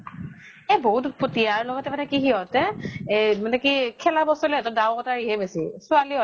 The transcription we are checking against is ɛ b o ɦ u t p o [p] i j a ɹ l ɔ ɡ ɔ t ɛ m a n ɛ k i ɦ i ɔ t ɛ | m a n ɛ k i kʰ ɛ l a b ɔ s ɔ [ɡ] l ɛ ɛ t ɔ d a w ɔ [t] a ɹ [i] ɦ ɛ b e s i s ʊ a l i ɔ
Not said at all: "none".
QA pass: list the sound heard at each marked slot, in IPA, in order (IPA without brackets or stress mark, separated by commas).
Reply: t, none, t, i